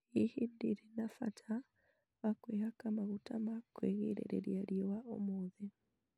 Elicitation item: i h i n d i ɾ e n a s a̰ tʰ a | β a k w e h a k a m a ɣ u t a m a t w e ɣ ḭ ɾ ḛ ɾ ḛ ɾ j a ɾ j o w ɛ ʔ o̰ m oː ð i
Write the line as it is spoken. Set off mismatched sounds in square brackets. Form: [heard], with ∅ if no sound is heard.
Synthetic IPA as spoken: i h i n d i ɾ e n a [f] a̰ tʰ a | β a k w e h a k a m a ɣ u t a m a [k] w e ɣ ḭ ɾ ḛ ɾ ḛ ɾ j a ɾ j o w [a] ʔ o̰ m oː ð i

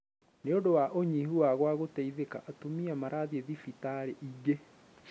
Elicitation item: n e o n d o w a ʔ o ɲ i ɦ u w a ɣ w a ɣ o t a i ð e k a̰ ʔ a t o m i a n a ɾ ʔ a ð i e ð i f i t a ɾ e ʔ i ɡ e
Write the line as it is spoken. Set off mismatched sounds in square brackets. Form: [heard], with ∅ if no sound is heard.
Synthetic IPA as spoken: n e o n d o w a ʔ o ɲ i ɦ u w a ɣ w a ɣ o t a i ð e k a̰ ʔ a t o m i a [m] a ɾ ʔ a ð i e ð i f i t a ɾ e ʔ i ɡ e

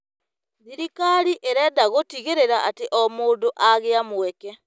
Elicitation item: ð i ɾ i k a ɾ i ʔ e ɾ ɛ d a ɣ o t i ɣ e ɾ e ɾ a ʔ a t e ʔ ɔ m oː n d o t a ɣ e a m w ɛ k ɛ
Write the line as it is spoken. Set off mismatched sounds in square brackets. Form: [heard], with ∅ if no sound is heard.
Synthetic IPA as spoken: ð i ɾ i k a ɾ i ʔ e ɾ ɛ d a ɣ o t i ɣ e ɾ e ɾ a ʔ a t e ʔ ɔ m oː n d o [ʔ] a ɣ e a m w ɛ k ɛ

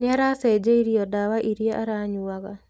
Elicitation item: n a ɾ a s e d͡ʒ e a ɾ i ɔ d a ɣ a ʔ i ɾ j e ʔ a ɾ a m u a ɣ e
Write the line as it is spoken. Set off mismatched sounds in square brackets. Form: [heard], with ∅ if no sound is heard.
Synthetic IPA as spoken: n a ɾ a s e d͡ʒ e [i] ɾ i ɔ d a [w] a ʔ i ɾ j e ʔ a ɾ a [ɲ] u a ɣ [a]

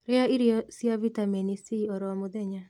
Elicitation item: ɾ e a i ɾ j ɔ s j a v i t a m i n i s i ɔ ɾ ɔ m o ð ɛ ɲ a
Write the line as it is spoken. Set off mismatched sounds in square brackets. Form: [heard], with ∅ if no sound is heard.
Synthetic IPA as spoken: ɾ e a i ɾ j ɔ s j a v i t a m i n i s i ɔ ɾ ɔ m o ð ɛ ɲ a

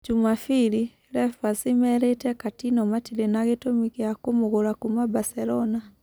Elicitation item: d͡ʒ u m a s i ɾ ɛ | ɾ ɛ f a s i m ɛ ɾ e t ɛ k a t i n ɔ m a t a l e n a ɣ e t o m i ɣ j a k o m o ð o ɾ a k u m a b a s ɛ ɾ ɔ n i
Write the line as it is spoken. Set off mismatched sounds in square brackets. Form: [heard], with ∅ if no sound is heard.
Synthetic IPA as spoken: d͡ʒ u m a [f] i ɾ [i] | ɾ ɛ f a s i m ɛ ɾ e t ɛ k a t i n ɔ m a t [i] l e n a ɣ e t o m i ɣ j a k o m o [ɣ] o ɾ a k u m a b a s ɛ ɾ ɔ n [a]

